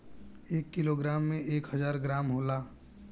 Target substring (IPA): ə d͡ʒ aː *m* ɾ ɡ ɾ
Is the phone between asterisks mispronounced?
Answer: yes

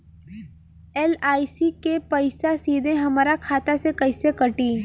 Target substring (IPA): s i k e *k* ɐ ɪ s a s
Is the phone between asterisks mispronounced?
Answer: yes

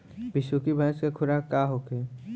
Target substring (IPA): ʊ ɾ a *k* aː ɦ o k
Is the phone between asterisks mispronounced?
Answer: no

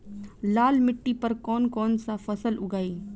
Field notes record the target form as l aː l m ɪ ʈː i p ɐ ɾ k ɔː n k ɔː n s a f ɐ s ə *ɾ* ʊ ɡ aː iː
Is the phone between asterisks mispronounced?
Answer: yes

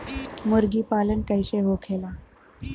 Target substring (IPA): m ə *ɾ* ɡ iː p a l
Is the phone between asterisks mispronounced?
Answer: no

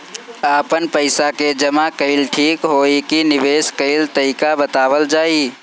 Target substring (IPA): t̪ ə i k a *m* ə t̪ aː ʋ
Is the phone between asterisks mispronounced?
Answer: yes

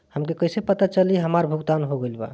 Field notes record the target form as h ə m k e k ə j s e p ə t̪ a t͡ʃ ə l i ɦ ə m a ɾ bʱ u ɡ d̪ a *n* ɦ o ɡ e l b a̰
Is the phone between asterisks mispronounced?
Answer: no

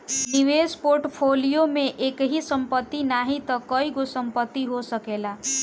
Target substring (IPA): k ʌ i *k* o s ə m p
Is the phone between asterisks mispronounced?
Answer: yes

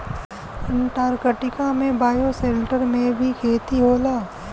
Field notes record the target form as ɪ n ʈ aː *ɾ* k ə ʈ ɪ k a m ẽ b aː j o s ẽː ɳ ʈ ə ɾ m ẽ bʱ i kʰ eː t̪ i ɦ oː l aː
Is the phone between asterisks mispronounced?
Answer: no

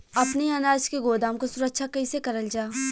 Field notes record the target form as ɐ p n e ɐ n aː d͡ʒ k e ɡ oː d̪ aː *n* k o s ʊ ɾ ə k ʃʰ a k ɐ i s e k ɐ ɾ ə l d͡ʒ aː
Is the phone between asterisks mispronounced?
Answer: yes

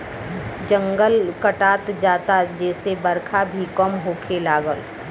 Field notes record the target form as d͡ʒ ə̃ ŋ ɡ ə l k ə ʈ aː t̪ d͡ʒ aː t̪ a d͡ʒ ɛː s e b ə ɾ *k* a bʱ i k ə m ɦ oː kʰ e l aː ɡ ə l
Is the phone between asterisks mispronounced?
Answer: yes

